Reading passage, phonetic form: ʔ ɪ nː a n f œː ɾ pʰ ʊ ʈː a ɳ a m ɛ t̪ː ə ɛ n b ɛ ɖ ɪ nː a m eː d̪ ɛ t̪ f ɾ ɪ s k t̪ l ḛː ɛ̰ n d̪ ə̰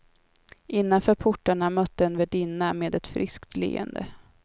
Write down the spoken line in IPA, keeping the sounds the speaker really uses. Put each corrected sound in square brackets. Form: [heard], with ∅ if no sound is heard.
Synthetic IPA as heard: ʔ ɪ nː a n f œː ɾ pʰ ʊ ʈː a ɳ a m [œ] t̪ː ə ɛ n [v] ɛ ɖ ɪ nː a m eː d̪ ɛ t̪ f ɾ ɪ s k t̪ l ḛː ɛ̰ n d̪ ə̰